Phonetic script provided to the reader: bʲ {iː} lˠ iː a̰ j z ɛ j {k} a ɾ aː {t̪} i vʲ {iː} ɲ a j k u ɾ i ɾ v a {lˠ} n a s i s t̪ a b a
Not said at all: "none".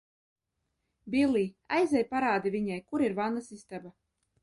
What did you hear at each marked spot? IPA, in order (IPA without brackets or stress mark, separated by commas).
i, p, d̪, i, none